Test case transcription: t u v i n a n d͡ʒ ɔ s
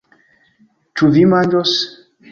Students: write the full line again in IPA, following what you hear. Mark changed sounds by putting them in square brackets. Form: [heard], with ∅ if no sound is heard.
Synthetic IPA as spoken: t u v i [m] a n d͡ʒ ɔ s